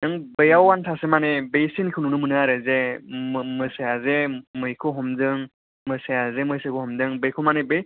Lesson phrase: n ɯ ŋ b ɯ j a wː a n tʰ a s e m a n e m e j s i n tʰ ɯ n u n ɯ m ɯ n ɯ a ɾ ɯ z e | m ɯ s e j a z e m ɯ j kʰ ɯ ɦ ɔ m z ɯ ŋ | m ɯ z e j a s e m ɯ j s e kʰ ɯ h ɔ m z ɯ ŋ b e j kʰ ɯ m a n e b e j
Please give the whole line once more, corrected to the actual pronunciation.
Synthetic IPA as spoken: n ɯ ŋ b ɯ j a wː a n tʰ a s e m a n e b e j s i n kʰ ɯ n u n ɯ m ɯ n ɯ a ɾ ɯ z e | m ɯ s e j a z e m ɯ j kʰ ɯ ɦ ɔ m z ɯ ŋ | m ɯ s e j a z e m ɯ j s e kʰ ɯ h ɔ m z ɯ ŋ b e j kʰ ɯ m a n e b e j